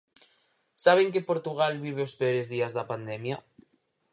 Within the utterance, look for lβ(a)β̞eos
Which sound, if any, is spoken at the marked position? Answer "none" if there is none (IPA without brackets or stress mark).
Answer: i